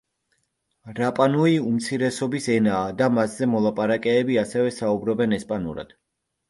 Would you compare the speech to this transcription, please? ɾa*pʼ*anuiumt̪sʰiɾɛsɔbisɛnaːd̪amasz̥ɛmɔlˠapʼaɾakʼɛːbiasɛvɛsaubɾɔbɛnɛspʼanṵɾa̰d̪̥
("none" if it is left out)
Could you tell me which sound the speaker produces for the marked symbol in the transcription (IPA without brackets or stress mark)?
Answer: pʼ